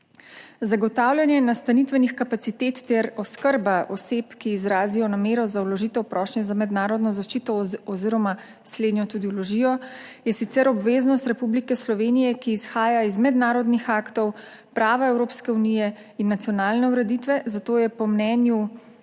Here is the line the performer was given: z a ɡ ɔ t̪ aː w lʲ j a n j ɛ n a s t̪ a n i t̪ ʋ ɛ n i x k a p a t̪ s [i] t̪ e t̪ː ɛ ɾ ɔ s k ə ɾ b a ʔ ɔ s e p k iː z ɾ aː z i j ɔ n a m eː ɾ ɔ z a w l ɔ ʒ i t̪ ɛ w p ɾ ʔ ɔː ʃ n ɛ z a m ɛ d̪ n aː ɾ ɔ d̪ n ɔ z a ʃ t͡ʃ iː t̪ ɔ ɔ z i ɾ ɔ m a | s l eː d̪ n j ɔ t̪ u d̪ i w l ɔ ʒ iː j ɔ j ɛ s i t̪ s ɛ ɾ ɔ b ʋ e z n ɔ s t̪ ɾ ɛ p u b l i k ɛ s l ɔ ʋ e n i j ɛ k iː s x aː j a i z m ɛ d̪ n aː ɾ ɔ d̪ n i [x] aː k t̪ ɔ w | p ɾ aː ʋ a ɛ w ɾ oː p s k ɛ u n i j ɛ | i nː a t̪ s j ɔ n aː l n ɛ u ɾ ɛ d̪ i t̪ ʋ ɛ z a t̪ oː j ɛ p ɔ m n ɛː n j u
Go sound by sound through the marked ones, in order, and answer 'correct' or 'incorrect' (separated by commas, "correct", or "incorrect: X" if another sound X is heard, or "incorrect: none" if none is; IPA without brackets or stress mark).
correct, correct